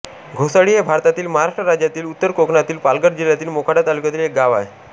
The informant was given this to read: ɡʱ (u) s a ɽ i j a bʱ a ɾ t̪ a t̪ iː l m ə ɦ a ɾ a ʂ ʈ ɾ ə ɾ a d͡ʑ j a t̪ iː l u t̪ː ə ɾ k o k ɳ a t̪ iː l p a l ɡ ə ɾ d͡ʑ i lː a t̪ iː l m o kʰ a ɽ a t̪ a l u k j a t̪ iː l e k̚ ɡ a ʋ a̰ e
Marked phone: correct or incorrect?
incorrect